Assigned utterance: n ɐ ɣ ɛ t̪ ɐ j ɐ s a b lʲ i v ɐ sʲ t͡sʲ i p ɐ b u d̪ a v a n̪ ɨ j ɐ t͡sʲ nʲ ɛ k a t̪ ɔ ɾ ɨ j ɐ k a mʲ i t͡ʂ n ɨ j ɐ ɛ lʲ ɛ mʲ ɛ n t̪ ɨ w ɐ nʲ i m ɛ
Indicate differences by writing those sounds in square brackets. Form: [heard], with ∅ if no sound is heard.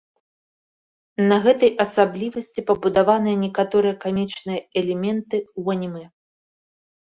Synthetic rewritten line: n ɐ ɣ ɛ t̪ ɐ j ɐ s a b lʲ i v ɐ sʲ t͡sʲ i p ɐ b u d̪ a v a n̪ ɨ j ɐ [∅] nʲ ɛ k a t̪ ɔ ɾ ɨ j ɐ k a mʲ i t͡ʂ n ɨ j ɐ ɛ lʲ ɛ mʲ ɛ n t̪ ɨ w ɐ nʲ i m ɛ